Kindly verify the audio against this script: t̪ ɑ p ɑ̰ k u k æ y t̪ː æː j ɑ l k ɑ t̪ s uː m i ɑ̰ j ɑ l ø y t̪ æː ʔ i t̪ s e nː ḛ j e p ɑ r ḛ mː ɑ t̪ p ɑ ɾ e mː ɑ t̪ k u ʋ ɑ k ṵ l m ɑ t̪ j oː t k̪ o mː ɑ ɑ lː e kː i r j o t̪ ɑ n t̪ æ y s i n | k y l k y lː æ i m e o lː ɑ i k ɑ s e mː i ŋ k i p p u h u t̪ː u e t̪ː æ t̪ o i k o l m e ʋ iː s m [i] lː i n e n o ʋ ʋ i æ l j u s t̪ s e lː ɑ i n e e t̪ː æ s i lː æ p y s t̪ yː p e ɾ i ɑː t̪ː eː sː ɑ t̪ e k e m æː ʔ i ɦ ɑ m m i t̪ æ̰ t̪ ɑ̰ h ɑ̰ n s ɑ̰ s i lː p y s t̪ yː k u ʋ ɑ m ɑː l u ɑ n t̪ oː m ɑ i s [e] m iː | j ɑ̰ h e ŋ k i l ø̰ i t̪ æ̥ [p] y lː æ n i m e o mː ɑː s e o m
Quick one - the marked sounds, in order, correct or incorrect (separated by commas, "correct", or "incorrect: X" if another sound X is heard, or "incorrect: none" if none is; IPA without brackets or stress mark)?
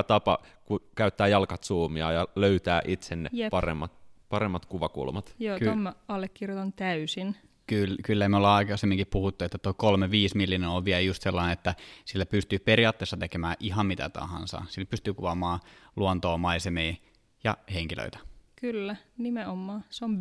correct, correct, incorrect: k